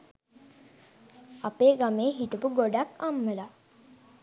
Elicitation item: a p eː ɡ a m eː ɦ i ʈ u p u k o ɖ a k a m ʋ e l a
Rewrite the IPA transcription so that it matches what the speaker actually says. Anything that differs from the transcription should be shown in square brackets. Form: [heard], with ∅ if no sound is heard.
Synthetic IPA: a p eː ɡ a m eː ɦ i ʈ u p u [ɡ] o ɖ a k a m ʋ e l a